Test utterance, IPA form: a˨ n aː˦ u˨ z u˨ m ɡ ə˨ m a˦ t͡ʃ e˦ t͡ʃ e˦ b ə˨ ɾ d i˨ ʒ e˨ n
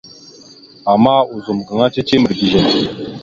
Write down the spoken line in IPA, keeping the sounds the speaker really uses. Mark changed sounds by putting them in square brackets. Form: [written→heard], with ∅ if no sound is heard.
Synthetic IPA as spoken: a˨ [n→m] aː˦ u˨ z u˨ m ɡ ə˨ [m→ŋ] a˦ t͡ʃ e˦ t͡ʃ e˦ [b→m] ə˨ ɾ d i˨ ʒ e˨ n